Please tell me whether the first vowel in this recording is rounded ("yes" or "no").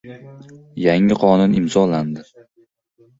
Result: no